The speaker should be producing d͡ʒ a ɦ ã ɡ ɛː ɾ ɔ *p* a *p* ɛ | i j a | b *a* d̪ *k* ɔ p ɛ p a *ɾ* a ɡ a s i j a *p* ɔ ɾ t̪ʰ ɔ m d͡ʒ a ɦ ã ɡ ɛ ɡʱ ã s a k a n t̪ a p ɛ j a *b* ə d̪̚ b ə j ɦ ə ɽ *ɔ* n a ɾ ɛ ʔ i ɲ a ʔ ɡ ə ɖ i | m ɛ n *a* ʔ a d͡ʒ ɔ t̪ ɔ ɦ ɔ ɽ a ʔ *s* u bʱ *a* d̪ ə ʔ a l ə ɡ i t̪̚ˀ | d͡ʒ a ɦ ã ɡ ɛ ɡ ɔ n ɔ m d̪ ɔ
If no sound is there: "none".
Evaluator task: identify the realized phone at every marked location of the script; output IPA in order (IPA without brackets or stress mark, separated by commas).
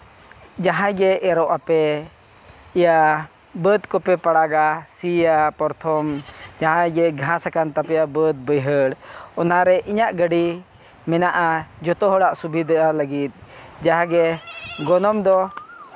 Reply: ʔ, p, ə, k, ɽ, p, b, ɔ, a, s, i